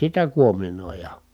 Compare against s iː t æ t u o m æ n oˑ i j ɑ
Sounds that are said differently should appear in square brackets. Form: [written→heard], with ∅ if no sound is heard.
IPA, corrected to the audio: s [iː→i] t æ [t→k] u o m [æ→i] n oˑ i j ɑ